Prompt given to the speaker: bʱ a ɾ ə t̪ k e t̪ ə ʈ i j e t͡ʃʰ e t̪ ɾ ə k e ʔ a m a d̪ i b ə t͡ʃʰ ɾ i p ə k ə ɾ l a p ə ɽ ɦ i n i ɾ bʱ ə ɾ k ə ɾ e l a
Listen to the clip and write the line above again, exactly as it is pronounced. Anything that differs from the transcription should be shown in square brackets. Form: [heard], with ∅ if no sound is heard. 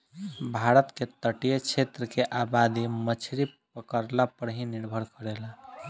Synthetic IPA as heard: bʱ a ɾ ə t̪ k e t̪ ə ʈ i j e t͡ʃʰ e t̪ ɾ ə k e ʔ a [b] a d̪ i [m] ə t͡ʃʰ ɾ i p ə k ə ɾ l a p ə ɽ ɦ i n i ɾ bʱ ə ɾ k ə ɾ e l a